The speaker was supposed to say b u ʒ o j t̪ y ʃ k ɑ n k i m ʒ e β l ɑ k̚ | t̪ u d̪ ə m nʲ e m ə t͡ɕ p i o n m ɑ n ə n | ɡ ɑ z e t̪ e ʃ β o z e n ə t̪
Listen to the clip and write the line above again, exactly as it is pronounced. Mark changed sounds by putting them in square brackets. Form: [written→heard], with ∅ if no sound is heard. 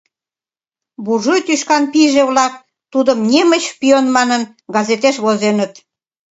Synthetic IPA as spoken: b u ʒ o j t̪ y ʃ k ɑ n [k→p] i [m→∅] ʒ e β l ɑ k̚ | t̪ u d̪ ə m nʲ e m ə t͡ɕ p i o n m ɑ n ə n | ɡ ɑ z e t̪ e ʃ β o z e n ə t̪